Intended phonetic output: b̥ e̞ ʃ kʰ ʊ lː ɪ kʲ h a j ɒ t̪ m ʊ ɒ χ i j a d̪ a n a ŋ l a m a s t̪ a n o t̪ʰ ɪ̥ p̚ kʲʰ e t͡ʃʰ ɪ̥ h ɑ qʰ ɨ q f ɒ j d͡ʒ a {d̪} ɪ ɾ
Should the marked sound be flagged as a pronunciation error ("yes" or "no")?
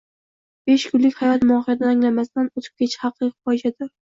no